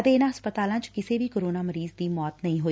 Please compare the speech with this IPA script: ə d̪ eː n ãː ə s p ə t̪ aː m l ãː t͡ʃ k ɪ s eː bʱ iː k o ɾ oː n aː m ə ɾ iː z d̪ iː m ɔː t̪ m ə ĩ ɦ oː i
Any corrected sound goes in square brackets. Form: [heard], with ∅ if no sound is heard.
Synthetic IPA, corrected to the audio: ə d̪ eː n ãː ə s p ə t̪ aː [∅] l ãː t͡ʃ k ɪ s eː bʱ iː k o ɾ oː n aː m ə ɾ iː z d̪ iː m ɔː t̪ [n] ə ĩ ɦ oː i